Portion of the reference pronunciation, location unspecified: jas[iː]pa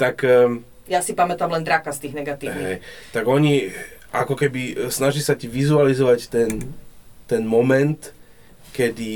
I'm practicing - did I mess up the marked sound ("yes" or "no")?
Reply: yes